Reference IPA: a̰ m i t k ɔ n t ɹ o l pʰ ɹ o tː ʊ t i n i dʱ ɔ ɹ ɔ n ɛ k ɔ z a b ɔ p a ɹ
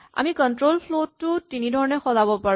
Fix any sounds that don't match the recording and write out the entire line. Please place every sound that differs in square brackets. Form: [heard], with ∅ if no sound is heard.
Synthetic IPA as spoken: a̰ m i [∅] k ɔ n t ɹ o l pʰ [l] o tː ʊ t i n i dʱ ɔ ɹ ɔ n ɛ [x] ɔ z a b ɔ p a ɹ